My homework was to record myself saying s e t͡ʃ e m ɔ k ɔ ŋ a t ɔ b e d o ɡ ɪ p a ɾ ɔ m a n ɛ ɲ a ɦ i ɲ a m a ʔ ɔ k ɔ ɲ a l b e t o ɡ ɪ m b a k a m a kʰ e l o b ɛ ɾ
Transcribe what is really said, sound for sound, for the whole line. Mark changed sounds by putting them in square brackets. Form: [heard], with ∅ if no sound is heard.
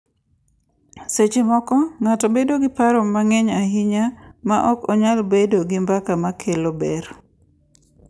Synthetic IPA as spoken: s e t͡ʃ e m ɔ k ɔ ŋ a t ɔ b e d o ɡ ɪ p a ɾ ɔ m a [ŋ] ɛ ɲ a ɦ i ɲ a m a ʔ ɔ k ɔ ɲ a l b e [d] o ɡ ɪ m b a k a m a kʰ e l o b ɛ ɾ